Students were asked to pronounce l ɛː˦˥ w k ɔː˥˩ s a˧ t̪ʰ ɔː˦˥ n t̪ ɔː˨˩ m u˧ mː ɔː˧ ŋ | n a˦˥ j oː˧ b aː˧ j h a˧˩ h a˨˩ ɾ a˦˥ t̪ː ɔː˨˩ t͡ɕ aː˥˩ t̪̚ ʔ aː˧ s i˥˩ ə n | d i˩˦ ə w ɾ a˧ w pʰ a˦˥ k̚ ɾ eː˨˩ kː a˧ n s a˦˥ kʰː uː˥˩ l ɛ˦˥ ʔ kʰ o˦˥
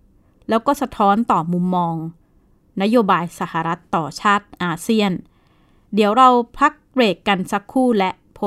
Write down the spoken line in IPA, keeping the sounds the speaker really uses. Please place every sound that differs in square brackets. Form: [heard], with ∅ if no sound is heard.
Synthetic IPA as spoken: l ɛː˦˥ w k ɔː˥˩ s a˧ t̪ʰ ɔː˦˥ n t̪ ɔː˨˩ m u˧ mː ɔː˧ ŋ | n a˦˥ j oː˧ b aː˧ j [s] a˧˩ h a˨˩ ɾ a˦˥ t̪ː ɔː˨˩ [t͡ɕʰ] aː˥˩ t̪̚ ʔ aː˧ s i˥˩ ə n | d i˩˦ ə w ɾ a˧ w pʰ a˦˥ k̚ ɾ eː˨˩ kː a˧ n s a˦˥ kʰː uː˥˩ l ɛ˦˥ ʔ [pʰ] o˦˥